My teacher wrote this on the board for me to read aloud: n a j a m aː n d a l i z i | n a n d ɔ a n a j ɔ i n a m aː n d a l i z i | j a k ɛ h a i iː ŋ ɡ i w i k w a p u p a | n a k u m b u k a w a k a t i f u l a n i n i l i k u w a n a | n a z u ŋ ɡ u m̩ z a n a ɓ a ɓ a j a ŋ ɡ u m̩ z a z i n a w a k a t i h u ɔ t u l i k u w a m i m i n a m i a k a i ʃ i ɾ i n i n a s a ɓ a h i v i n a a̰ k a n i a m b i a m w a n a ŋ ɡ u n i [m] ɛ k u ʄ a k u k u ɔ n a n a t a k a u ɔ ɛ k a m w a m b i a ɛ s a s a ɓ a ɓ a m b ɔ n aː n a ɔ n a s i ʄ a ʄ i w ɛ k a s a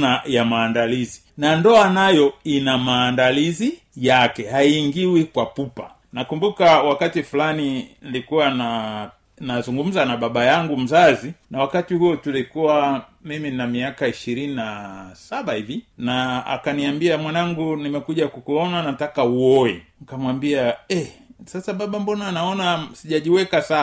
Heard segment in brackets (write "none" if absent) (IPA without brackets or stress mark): m